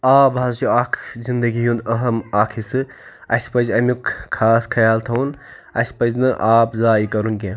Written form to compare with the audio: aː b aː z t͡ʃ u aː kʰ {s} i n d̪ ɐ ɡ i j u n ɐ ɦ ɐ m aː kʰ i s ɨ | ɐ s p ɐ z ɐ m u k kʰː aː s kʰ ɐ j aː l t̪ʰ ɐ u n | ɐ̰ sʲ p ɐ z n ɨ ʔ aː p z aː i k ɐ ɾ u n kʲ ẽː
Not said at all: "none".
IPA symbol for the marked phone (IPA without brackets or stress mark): z